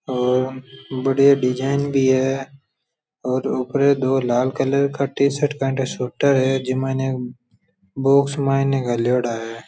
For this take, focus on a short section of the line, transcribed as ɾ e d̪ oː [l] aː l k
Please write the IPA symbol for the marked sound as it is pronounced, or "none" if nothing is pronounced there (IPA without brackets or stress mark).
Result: l